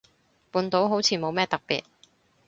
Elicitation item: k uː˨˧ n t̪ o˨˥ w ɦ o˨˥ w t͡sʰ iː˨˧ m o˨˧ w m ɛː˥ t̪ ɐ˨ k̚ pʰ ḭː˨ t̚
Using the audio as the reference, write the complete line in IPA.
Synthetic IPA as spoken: p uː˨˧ n t̪ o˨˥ w ɦ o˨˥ w t͡sʰ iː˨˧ m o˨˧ w m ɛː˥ t̪ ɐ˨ k̚ p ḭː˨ t̚